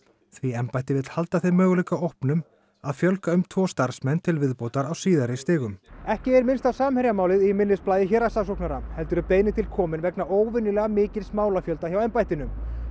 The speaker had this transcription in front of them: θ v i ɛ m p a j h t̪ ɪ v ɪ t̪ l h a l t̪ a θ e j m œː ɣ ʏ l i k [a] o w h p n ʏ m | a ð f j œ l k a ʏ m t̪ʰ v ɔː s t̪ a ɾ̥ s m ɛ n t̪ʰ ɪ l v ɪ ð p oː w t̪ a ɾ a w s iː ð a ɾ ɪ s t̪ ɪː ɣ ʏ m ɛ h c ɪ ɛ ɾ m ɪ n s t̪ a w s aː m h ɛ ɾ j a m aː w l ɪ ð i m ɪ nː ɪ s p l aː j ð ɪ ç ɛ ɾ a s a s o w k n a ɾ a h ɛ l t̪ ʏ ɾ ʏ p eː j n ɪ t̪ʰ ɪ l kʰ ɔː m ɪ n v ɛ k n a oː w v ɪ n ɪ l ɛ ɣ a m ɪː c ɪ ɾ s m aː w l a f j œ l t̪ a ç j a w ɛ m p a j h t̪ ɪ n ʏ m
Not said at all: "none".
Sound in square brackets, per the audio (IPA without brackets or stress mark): a